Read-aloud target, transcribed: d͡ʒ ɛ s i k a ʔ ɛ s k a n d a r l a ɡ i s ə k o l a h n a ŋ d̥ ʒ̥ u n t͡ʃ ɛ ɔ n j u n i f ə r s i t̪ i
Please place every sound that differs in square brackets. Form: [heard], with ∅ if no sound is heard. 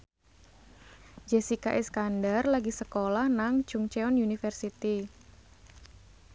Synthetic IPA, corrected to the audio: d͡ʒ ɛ s i k a ʔ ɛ s k a n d a r l a ɡ i s ə k o l a h n a ŋ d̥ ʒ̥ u [ŋ] t͡ʃ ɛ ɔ n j u n i f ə r s i t̪ i